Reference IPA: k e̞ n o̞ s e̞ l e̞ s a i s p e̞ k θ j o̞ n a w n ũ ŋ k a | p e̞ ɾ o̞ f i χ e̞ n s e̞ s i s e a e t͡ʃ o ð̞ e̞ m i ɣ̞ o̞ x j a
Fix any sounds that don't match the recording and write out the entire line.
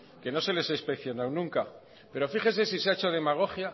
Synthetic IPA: k e̞ n o̞ s e̞ l e̞ s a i s p e̞ k θ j o̞ n a w n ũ ŋ k a | p e̞ ɾ o̞ f i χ e̞ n s e̞ s i s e a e t͡ʃ o ð̞ e̞ m a ɣ̞ o̞ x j a